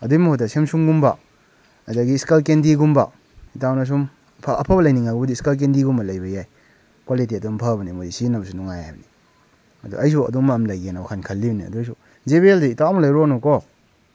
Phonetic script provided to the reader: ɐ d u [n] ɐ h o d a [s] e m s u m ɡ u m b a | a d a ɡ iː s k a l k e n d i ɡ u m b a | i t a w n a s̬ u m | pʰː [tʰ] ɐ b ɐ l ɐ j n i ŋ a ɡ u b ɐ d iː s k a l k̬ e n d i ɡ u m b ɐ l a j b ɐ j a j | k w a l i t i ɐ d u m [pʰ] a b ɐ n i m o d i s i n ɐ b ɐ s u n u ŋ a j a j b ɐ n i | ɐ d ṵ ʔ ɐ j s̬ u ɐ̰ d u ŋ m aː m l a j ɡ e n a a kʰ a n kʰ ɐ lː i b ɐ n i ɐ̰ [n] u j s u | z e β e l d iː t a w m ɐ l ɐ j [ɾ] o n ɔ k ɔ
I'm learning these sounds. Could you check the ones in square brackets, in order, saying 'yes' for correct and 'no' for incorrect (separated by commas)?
no, yes, no, yes, no, yes